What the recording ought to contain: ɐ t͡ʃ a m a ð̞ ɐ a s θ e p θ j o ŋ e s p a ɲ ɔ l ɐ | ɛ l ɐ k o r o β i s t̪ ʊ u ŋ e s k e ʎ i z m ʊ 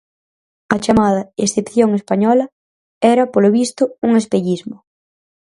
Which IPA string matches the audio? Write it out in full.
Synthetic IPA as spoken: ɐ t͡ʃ a m a ð̞ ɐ e s θ e p θ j o ŋ e s p a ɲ ɔ l ɐ | ɛ ɾ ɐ p o l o β i s t̪ ʊ u ŋ e s p e ʎ i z m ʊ